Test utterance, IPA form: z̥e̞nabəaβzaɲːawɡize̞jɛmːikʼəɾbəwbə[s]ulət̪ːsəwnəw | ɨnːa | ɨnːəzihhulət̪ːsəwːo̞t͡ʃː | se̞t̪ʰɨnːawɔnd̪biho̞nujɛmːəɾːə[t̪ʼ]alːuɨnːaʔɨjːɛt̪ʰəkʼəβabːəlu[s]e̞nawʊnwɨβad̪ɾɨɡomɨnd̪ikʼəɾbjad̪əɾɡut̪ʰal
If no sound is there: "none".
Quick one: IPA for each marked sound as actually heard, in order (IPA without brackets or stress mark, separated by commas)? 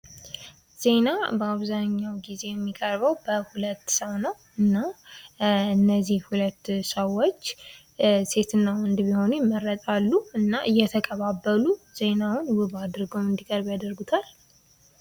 h, t̪ʼ, z